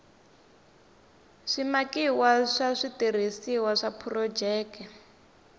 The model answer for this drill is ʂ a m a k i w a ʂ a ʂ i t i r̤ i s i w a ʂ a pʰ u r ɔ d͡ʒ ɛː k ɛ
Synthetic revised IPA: ʂ i m a k i w a ʂ a ʂ i t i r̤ i s i w a ʂ a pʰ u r ɔ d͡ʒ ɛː k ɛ